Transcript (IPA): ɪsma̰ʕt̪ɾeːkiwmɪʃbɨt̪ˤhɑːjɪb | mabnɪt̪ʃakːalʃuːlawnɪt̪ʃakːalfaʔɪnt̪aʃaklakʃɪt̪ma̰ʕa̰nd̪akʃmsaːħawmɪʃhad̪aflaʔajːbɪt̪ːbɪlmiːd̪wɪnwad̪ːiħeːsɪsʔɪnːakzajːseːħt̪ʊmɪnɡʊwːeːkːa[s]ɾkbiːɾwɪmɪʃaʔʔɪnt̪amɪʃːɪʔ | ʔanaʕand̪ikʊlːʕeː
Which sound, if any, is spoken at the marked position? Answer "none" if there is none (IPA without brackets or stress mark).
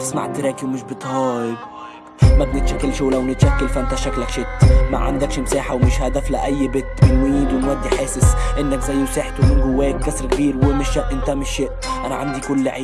s